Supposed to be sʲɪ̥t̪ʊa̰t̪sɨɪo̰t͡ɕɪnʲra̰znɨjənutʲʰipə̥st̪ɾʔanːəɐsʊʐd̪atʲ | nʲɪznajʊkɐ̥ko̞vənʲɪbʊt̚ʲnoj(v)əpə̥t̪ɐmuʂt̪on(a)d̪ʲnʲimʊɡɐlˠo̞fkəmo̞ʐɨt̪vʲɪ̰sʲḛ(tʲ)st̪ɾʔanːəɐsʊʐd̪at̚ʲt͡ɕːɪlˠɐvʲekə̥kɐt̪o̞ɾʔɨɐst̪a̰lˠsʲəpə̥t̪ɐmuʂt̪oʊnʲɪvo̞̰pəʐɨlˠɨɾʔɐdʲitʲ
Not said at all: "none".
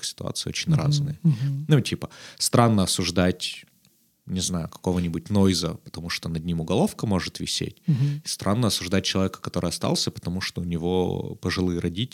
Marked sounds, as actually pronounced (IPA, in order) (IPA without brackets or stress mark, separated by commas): z, ɐ, tʲ